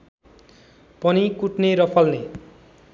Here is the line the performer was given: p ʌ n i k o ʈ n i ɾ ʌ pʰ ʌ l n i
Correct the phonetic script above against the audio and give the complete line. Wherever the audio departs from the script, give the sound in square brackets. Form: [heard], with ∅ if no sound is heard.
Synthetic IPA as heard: p ʌ n i k [u] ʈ n [e] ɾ ʌ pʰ ʌ l n [e]